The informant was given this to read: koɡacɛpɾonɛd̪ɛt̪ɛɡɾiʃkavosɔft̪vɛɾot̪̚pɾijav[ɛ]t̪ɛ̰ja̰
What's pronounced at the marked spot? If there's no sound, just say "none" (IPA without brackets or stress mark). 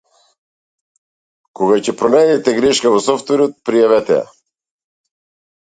ɛ